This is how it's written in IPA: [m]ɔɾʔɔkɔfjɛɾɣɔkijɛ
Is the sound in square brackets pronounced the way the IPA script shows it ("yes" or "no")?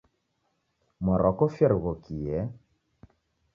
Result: yes